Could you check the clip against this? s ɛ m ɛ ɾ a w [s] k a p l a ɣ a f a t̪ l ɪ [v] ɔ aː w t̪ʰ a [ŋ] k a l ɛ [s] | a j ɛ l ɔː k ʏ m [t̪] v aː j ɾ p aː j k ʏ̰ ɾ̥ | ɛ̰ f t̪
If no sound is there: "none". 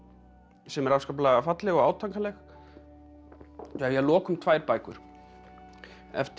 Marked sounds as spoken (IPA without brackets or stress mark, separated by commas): s, ɣ, ŋ, x, t̪ʰ